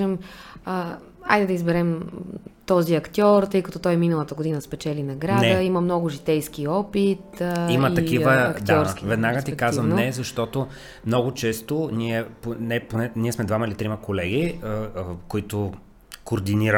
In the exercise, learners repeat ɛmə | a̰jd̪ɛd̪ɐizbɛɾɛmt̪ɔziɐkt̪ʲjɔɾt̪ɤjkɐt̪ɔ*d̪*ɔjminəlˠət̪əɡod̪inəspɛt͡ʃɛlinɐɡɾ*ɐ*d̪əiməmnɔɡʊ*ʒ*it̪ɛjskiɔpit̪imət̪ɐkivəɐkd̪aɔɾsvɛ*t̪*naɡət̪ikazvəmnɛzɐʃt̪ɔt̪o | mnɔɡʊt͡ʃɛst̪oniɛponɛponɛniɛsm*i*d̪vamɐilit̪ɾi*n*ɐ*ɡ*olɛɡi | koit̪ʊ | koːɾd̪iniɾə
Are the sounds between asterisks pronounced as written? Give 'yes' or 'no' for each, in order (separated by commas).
no, no, yes, no, no, no, no